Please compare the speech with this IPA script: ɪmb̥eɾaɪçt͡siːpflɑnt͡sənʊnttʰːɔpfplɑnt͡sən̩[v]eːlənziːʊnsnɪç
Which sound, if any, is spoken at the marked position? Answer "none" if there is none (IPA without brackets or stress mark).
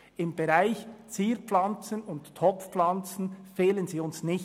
f